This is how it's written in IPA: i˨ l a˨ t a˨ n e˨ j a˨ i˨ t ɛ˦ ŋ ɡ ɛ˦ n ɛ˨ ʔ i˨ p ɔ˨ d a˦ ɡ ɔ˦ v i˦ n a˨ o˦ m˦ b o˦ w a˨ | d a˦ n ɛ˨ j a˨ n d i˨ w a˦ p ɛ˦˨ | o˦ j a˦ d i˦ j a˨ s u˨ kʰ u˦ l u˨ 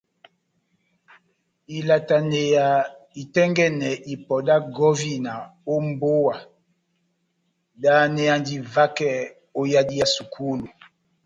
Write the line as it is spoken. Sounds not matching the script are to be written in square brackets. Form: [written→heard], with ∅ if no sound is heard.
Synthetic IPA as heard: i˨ l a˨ t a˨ n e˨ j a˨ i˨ t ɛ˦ ŋ ɡ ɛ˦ n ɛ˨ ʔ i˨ p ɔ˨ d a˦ ɡ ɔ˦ v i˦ n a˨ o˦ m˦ b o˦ w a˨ | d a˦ n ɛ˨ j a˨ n d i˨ [w→v] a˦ [p→k] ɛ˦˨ | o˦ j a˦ d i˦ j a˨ s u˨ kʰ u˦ l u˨